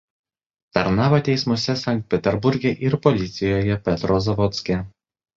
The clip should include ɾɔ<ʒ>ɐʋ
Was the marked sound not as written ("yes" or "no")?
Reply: yes